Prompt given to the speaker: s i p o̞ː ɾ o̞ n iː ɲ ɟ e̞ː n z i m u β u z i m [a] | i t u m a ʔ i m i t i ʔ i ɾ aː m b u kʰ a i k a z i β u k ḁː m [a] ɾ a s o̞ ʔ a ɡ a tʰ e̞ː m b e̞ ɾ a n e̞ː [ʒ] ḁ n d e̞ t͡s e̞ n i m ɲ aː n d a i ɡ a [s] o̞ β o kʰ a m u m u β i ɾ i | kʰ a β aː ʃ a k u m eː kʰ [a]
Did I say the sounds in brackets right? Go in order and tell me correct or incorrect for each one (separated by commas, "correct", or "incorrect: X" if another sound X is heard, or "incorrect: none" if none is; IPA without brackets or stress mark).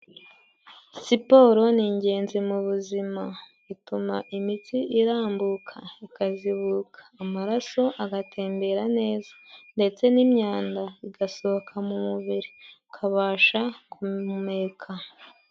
correct, correct, incorrect: z, correct, correct